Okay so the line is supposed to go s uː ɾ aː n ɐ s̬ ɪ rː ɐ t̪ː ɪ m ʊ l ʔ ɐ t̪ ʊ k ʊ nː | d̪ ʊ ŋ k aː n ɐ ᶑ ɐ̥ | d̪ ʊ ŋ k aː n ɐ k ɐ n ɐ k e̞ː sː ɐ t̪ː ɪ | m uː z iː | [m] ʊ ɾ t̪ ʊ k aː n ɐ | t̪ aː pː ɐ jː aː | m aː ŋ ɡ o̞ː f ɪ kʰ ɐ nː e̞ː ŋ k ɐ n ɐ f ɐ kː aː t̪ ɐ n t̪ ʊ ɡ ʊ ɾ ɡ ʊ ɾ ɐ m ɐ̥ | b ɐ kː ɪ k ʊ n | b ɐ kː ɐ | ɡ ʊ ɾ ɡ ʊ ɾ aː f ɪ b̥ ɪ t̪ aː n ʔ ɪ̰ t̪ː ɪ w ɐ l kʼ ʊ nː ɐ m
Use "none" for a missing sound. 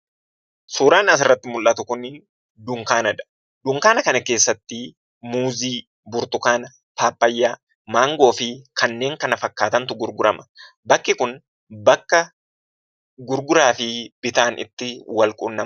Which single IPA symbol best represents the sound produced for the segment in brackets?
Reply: b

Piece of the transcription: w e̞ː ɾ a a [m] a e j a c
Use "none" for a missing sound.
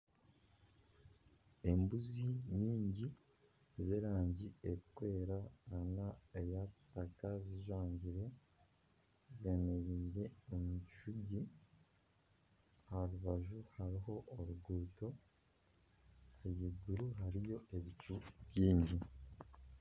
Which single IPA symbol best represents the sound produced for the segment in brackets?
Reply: n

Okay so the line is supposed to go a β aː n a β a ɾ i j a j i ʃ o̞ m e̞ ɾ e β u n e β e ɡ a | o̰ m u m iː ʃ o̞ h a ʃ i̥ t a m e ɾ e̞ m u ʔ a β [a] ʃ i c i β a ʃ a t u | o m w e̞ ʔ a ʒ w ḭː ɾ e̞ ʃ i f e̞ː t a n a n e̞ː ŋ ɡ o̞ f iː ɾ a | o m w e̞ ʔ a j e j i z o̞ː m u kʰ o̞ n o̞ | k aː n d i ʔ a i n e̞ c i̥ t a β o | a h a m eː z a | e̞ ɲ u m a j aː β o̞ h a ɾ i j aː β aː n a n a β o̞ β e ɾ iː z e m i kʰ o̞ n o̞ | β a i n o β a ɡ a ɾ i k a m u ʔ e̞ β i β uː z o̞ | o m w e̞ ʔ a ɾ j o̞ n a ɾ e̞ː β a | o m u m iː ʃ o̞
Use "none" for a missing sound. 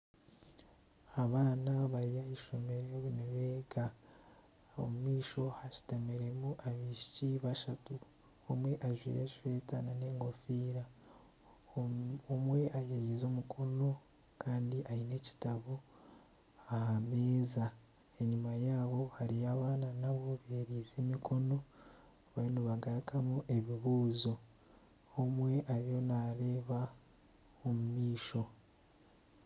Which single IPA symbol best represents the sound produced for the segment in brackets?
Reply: i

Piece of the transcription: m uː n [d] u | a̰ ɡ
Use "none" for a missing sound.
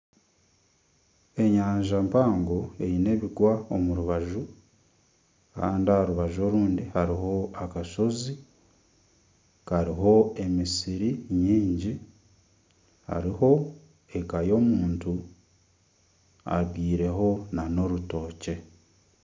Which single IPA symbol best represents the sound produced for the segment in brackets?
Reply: t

